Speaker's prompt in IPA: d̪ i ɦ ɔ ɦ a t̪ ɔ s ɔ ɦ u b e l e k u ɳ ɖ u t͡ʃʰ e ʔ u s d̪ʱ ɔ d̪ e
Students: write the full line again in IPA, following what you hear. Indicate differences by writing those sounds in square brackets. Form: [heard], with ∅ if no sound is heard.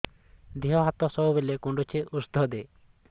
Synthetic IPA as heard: d̪ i ɦ ɔ ɦ a t̪ ɔ s ɔ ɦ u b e l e k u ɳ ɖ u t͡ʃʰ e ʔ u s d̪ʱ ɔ d̪ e